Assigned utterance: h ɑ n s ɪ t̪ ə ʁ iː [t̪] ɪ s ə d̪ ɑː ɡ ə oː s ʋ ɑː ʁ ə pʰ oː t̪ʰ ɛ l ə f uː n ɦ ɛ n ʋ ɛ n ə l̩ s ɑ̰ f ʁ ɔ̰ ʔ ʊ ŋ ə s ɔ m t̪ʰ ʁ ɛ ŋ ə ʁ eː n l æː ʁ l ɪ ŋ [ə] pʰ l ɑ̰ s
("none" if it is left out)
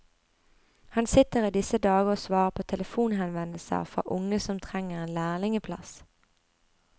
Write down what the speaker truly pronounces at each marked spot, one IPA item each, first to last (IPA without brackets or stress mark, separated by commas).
d̪, ə